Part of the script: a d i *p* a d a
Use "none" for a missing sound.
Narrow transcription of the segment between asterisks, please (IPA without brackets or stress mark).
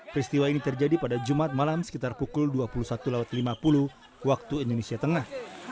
p